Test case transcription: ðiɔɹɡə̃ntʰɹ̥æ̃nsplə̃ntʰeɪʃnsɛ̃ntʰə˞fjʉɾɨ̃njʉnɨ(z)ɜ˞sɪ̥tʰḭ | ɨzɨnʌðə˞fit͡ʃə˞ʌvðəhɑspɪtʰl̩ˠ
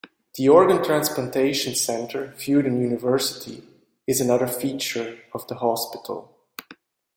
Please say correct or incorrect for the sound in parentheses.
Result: incorrect